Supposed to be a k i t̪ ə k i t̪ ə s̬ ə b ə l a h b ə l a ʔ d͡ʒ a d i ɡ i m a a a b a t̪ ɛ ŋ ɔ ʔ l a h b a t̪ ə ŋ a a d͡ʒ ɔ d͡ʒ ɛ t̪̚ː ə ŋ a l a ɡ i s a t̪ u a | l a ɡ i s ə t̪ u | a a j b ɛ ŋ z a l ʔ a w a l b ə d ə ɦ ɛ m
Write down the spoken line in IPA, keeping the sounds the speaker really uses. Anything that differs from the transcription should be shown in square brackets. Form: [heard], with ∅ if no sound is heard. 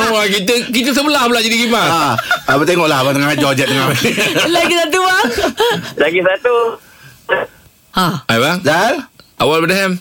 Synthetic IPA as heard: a k i t̪ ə k i t̪ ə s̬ ə b ə l a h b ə l a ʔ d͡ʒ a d i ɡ i m a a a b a t̪ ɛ ŋ ɔ ʔ l a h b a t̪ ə ŋ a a d͡ʒ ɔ d͡ʒ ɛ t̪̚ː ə ŋ a l a ɡ i s a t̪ u a | l a ɡ i s [a] t̪ u | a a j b [a] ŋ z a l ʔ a w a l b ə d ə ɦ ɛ m